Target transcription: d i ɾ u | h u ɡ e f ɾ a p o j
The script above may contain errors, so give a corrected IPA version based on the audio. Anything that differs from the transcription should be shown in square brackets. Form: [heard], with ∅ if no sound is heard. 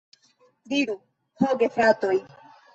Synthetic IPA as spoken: d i ɾ u | h [o] ɡ e f ɾ a [t] o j